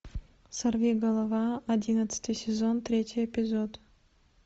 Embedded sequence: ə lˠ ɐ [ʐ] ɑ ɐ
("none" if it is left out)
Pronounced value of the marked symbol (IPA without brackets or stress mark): v